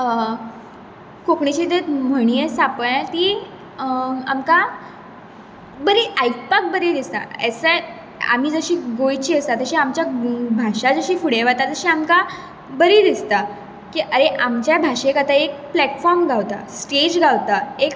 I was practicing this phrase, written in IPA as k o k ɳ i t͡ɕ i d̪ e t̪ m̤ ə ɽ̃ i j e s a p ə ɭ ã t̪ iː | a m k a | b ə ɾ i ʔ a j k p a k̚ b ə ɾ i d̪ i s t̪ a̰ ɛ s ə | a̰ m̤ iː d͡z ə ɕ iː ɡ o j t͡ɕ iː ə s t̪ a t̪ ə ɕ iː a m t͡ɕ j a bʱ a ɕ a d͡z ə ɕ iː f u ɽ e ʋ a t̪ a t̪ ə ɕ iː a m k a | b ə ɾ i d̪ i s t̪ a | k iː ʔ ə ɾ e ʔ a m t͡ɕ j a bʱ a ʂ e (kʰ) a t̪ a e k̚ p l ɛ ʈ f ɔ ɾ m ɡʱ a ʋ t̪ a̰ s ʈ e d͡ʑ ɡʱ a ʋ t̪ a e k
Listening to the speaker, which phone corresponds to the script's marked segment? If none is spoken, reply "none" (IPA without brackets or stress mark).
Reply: k